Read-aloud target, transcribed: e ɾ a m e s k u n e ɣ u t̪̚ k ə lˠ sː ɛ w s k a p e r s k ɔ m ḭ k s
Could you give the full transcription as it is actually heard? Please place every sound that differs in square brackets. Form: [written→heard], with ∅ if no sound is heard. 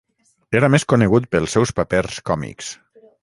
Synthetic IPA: e ɾ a m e s k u n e ɣ u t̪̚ [k→p] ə lˠ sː ɛ w s [k→p] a p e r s k ɔ m ḭ k s